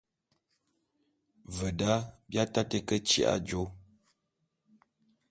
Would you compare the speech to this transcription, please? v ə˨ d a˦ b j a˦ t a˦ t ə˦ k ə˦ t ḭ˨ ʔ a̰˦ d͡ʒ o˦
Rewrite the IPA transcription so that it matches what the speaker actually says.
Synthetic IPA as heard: v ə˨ d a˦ b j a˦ t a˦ t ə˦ k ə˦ t͡ʃ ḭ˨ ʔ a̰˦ d͡ʒ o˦